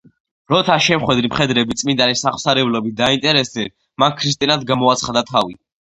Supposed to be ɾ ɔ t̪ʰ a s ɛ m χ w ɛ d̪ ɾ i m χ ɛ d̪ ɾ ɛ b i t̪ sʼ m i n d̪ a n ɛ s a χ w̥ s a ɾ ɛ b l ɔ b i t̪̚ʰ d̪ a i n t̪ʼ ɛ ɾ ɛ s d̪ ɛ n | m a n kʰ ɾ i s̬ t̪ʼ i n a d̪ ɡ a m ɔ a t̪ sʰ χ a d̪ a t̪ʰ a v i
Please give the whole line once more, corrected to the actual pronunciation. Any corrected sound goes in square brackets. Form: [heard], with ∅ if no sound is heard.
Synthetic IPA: ɾ ɔ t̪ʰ a [ʃ] ɛ m χ w ɛ d̪ ɾ i m χ ɛ d̪ ɾ ɛ b i t̪ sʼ m i n d̪ a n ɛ s a χ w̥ s a ɾ ɛ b l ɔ b i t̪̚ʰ d̪ a i n t̪ʼ ɛ ɾ ɛ s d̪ ɛ n | m a n kʰ ɾ i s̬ t̪ʼ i n a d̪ ɡ a m ɔ a t̪ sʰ χ a d̪ a t̪ʰ a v i